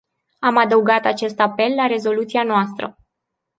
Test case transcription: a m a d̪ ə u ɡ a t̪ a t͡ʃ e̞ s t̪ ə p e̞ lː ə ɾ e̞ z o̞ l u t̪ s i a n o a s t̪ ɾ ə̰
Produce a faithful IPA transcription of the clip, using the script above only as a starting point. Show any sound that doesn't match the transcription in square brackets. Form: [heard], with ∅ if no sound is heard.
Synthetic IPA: a m a d̪ ə u ɡ a t̪ a t͡ʃ e̞ s t̪ [a] p e̞ lː [a] ɾ e̞ z o̞ l u t̪ s i a n o a s t̪ ɾ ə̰